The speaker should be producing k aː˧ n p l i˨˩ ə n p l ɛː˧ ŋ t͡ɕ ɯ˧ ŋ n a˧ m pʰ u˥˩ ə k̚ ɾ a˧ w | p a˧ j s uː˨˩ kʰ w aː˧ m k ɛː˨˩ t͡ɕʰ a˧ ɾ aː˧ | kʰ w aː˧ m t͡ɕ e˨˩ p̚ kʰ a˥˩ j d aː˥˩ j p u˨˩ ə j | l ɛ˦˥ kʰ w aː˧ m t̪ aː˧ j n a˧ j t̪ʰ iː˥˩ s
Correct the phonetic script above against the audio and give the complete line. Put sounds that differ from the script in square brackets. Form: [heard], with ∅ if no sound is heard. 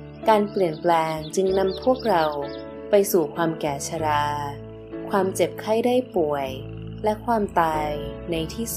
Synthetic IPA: k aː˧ n p l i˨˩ ə n p l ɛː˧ ŋ t͡ɕ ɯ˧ ŋ n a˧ m pʰ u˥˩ ə k̚ ɾ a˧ w | p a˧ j s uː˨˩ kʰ w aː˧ m k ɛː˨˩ t͡ɕʰ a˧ ɾ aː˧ | kʰ w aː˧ m t͡ɕ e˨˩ p̚ kʰ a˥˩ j d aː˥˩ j p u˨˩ ə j | l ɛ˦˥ kʰ w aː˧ m t̪ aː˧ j n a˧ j t̪ʰ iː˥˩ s